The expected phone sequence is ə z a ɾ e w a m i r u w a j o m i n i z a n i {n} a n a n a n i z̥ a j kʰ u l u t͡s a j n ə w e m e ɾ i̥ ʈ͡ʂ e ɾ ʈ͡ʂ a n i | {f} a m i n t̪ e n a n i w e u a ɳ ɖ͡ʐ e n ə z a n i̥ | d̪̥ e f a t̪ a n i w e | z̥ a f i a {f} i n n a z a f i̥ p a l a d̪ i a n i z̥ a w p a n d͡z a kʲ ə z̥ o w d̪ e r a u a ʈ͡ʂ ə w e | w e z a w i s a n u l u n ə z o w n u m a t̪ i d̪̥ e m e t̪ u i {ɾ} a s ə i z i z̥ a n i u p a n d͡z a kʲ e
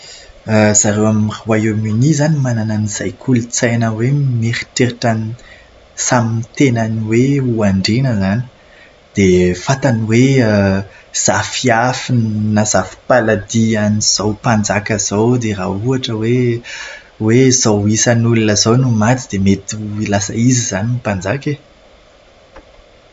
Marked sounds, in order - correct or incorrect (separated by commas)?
incorrect, incorrect, correct, incorrect